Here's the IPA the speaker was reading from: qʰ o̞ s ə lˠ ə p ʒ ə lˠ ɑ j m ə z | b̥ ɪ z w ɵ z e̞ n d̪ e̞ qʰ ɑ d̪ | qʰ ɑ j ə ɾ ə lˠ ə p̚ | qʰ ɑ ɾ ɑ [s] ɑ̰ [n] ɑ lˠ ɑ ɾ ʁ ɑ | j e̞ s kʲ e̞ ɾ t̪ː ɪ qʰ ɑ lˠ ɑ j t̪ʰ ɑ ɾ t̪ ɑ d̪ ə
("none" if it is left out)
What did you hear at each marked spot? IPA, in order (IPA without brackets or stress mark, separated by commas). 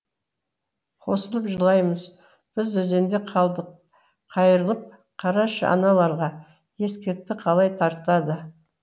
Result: ʃ, n